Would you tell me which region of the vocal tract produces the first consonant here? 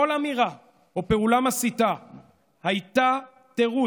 tongue tip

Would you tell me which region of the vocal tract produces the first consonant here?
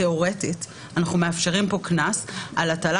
uvula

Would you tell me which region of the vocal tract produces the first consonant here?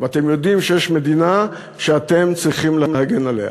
lips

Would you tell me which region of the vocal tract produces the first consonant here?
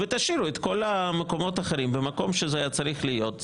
lips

